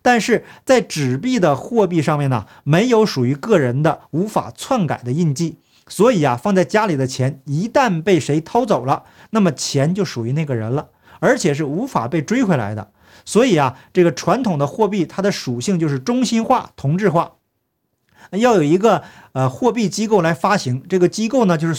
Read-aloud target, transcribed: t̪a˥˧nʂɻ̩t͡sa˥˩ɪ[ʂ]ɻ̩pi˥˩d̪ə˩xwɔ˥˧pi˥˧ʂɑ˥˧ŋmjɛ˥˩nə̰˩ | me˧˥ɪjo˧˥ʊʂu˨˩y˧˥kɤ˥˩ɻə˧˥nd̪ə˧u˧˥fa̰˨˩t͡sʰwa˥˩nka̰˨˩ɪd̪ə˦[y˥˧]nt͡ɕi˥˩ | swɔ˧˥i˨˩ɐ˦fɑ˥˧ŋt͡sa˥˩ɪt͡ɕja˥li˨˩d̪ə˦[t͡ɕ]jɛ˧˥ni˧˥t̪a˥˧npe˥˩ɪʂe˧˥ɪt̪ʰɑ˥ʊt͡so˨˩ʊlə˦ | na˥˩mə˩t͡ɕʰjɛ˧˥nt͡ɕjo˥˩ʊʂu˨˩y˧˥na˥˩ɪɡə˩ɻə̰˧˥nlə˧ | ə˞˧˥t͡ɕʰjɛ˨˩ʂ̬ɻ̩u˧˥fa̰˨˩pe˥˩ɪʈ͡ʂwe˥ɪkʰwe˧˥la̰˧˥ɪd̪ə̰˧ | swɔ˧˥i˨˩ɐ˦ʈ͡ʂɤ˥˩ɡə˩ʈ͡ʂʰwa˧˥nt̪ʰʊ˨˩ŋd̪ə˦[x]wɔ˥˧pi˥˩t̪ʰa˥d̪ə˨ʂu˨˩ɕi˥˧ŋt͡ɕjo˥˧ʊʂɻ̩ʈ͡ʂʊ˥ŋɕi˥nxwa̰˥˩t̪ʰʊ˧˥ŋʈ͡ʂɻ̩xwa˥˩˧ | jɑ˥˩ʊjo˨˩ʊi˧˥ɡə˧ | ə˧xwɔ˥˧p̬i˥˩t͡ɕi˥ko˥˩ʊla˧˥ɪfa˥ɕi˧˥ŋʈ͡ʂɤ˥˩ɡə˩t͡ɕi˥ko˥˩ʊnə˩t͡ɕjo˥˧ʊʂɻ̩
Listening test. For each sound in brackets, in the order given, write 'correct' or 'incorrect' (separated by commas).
incorrect, incorrect, incorrect, correct